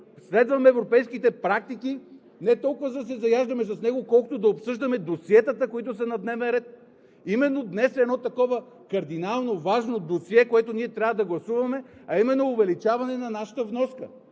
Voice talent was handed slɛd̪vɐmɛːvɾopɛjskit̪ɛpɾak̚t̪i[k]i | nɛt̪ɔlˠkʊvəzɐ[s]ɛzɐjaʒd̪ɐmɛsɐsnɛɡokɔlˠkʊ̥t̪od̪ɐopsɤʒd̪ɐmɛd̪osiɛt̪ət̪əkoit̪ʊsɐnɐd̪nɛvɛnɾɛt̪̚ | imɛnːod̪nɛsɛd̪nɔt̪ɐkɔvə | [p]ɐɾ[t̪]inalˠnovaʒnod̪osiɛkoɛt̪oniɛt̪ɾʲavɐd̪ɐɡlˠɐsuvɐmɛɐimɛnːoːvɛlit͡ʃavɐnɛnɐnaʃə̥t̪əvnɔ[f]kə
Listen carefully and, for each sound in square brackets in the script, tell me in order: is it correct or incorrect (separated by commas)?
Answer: correct, correct, incorrect, incorrect, incorrect